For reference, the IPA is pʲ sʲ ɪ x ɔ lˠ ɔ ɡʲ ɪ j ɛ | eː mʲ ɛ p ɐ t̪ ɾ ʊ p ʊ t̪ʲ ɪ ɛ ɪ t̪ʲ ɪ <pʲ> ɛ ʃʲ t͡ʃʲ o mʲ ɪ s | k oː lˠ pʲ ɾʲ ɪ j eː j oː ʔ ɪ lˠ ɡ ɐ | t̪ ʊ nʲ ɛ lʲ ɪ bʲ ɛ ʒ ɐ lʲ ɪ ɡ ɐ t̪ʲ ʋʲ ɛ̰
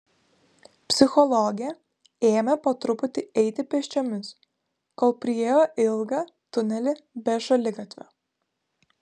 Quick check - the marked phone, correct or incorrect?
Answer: correct